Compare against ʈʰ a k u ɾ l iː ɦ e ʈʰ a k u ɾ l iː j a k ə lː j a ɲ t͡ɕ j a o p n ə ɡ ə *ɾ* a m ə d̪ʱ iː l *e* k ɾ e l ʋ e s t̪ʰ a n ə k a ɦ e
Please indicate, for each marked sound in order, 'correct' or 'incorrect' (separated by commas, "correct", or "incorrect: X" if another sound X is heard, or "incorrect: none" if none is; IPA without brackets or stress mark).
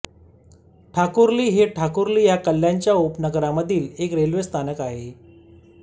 correct, correct